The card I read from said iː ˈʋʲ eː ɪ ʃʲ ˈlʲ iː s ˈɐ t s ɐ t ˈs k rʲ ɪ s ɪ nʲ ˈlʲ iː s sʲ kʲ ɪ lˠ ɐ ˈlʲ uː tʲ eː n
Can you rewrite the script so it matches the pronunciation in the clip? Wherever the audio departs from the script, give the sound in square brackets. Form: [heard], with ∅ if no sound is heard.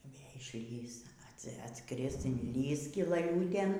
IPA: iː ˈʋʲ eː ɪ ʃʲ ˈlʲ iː s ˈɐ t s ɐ t ˈs k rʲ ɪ s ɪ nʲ ˈlʲ iː s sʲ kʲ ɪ lˠ ɐ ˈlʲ uː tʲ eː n